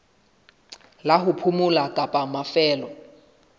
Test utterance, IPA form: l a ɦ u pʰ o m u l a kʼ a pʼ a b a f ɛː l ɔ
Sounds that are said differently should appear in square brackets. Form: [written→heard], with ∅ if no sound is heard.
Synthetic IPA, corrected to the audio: l a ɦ u pʰ [o→u] m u l a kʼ a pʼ a [b→m] a f ɛː l ɔ

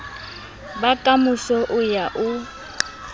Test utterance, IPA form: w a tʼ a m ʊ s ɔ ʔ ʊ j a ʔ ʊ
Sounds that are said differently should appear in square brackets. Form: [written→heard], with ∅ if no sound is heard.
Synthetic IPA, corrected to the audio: [w→b] a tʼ a m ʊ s ɔ ʔ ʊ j a ʔ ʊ

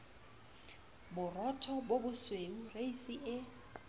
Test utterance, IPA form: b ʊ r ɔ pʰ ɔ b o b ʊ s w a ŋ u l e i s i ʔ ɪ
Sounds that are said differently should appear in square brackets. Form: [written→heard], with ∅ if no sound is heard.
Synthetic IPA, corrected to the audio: b ʊ r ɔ [pʰ→tʰ] ɔ b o b ʊ s w [a→e] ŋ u [l→r] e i s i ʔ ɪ

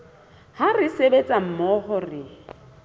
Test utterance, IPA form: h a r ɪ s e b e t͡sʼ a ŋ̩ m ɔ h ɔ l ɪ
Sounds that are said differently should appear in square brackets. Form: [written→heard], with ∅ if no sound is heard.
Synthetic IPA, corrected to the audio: h a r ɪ s e b e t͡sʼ a [ŋ̩→m̩] m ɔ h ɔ [l→r] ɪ

